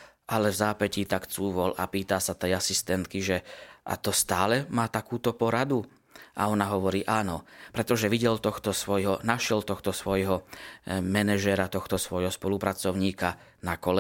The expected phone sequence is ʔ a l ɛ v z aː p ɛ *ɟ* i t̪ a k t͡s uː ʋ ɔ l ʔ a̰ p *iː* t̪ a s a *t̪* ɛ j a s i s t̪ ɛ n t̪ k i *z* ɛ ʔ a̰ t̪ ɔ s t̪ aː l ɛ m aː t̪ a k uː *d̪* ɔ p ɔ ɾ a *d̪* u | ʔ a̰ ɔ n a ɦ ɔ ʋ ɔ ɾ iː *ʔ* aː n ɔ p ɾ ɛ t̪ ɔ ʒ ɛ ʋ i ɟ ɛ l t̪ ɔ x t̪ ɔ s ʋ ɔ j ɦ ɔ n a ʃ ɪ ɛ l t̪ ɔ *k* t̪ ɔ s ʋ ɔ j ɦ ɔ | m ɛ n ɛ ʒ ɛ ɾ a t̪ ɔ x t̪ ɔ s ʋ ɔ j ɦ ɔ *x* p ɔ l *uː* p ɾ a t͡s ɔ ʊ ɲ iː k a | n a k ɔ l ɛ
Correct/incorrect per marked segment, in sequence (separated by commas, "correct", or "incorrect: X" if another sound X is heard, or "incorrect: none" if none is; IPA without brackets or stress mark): incorrect: c, correct, correct, incorrect: ʒ, incorrect: t̪, correct, correct, incorrect: x, incorrect: s, incorrect: u